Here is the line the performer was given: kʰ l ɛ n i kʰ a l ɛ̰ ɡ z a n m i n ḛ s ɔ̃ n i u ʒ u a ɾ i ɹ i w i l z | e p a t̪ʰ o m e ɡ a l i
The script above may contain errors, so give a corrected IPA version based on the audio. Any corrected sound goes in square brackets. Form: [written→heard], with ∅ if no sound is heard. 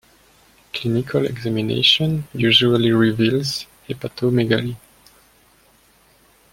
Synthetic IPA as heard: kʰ l [ɛ→i] n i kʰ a l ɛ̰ ɡ z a [n→∅] m i n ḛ [s→ʃ] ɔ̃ n [i→j] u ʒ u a [ɾ→l] i ɹ i [w→v] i l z | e p a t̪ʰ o m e ɡ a l i

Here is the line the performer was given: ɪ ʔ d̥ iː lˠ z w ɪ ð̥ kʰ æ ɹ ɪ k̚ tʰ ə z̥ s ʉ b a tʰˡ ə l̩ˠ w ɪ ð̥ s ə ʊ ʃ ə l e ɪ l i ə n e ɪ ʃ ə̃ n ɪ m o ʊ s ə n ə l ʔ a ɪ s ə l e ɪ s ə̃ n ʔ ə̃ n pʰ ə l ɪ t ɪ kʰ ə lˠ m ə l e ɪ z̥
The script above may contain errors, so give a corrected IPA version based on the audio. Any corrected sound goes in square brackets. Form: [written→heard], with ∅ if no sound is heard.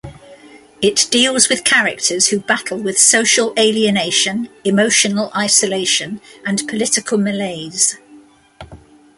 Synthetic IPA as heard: ɪ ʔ d̥ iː lˠ z w ɪ ð̥ kʰ [æ→a] ɹ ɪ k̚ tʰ ə z̥ [s→h] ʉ b a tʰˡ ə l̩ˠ w ɪ ð̥ s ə ʊ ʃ ə l e ɪ l i ə n e ɪ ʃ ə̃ n ɪ m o ʊ [s→ʃ] ə n ə l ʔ a ɪ s ə l e ɪ [s→ʃ] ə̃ n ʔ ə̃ n pʰ ə l ɪ t ɪ kʰ ə lˠ m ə l e ɪ z̥

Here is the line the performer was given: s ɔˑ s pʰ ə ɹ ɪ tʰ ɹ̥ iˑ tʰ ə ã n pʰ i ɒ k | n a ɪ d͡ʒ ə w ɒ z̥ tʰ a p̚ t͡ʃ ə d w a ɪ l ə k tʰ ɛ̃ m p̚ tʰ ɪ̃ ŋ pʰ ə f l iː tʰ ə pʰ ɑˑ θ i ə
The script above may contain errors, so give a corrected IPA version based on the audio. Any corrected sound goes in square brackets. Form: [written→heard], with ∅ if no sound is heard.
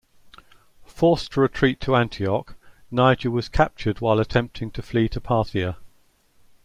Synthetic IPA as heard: [s→f] ɔˑ s [pʰ→tʰ] ə ɹ ɪ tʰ ɹ̥ iˑ tʰ ə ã n [pʰ→tʰ] i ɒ k | n a ɪ d͡ʒ ə w ɒ z̥ [tʰ→kʰ] a p̚ t͡ʃ ə d w a ɪ l ə [k→∅] tʰ ɛ̃ m p̚ tʰ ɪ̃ ŋ [pʰ→tʰ] ə f l iː tʰ ə pʰ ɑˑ θ i ə

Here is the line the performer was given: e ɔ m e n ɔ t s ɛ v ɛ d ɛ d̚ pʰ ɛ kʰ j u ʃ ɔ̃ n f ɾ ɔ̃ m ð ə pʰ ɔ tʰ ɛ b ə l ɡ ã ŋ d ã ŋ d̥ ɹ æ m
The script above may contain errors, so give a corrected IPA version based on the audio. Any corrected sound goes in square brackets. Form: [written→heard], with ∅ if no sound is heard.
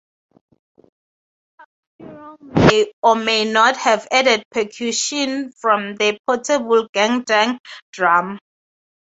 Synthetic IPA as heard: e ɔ m e n ɔ t [s→h] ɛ v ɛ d ɛ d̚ pʰ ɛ kʰ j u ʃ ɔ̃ n f [ɾ→ɹ] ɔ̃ m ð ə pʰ ɔ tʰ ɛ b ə l ɡ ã ŋ d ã ŋ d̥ ɹ [æ→a] m

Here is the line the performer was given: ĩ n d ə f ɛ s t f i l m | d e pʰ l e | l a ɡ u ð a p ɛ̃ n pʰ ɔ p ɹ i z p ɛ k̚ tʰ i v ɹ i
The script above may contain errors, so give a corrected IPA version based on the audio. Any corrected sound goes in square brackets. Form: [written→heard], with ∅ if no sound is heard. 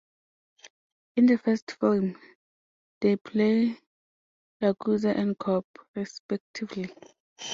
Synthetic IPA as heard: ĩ n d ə f ɛ s t f i l m | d e pʰ l e | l a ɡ u [ð→z] a [p→ʔ] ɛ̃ n [pʰ→kʰ] ɔ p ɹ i [z→s] p ɛ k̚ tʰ i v [ɹ→l] i

